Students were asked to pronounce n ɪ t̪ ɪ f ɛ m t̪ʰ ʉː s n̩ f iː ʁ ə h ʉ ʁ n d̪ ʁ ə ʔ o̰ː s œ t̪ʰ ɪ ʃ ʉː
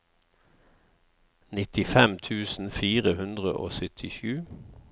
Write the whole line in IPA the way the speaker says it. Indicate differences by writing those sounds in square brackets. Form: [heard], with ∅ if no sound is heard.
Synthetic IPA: n ɪ t̪ ɪ f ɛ m t̪ʰ ʉː s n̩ f iː ʁ ə h ʉ [∅] n d̪ ʁ ə ʔ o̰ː s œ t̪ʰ ɪ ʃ ʉː